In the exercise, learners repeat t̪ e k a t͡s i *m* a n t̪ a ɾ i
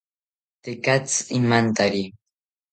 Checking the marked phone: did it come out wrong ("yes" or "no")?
no